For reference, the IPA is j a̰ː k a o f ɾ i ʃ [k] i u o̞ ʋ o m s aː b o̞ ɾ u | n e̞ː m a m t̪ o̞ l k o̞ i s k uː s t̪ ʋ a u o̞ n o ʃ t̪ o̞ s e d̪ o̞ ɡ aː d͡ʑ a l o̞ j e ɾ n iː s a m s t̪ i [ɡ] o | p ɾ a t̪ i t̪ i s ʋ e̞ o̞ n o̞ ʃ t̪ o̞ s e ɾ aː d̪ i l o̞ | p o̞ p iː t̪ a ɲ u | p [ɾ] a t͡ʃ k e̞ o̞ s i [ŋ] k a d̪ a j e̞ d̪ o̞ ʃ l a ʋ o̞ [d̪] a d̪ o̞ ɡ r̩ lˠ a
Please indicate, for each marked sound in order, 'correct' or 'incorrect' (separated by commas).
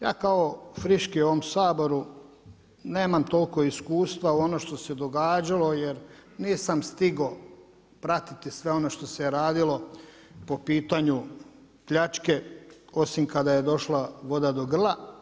correct, correct, incorrect, incorrect, correct